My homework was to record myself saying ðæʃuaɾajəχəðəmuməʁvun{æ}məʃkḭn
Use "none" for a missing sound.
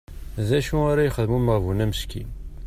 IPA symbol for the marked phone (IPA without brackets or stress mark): æ